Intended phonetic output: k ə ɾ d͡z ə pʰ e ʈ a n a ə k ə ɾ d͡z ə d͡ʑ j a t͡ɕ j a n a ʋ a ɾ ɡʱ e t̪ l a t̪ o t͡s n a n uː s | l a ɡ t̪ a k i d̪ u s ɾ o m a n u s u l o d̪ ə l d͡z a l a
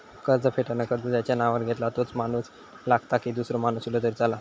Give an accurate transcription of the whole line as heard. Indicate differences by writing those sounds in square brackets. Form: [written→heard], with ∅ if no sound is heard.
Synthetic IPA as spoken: k ə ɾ d͡z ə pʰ e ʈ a n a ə k ə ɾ d͡z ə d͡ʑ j a t͡ɕ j a n a ʋ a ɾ ɡʱ e t̪ l a t̪ o t͡s [n→m] a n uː s | l a ɡ t̪ a k i d̪ u s ɾ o m a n u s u l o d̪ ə [l→ɾ] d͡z a l a